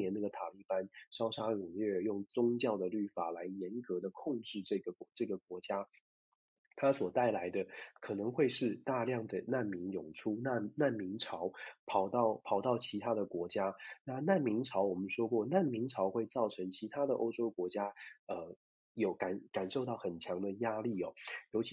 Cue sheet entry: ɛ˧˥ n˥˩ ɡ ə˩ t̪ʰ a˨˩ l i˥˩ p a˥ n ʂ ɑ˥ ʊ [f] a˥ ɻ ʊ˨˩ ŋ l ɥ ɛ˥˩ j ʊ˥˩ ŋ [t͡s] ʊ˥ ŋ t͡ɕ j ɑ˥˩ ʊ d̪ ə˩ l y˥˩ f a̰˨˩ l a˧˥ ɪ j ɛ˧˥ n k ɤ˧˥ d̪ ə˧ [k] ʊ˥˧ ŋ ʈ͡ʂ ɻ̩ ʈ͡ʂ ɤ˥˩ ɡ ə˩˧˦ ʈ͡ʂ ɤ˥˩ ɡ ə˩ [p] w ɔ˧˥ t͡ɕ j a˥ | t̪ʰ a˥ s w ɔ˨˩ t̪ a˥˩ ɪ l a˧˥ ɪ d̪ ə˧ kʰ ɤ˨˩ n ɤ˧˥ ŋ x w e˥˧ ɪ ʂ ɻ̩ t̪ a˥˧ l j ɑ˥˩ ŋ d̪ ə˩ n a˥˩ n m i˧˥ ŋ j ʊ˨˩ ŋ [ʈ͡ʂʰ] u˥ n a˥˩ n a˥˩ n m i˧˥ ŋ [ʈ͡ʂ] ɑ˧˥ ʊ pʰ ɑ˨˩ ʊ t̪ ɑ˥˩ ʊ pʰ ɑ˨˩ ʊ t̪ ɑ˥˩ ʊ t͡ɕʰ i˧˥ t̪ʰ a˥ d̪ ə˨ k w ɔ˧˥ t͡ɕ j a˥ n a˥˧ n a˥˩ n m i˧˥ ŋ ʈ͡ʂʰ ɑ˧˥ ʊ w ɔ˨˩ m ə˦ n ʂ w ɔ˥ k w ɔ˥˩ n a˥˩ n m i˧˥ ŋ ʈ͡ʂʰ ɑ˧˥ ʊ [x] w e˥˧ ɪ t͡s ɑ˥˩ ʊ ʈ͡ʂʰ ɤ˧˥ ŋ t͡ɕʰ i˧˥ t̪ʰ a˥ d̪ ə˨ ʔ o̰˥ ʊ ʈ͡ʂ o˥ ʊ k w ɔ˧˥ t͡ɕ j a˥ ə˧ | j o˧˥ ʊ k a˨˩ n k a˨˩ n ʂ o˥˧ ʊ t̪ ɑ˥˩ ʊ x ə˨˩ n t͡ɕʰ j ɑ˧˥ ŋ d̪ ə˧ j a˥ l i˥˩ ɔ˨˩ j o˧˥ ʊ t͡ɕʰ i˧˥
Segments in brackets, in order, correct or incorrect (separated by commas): incorrect, correct, incorrect, incorrect, correct, incorrect, correct